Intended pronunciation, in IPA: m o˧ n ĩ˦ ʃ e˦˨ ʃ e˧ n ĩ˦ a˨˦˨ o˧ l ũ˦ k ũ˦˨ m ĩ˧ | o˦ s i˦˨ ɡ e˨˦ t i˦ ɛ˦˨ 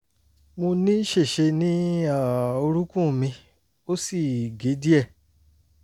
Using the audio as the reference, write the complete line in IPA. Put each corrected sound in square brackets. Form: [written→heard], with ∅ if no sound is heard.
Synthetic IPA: m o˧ n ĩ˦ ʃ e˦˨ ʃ e˧ n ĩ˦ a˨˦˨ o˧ [l→ɾ] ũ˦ k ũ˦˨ m ĩ˧ | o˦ s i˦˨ ɡ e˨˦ [t→d] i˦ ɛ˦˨